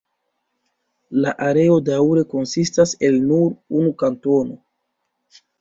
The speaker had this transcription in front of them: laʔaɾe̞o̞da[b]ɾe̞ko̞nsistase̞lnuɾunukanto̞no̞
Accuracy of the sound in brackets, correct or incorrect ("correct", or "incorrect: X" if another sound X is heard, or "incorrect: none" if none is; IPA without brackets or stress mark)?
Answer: incorrect: w